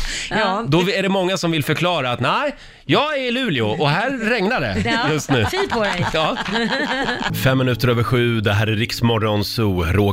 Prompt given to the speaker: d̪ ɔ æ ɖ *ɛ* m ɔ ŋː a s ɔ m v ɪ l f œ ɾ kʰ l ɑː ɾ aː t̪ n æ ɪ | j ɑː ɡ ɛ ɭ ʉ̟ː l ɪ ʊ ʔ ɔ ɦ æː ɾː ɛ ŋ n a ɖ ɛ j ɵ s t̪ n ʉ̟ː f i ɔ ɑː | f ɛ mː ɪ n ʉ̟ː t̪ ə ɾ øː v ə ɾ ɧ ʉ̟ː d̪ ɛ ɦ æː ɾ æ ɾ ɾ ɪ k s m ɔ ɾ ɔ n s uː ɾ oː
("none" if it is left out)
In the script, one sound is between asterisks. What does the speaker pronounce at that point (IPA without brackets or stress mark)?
ɛ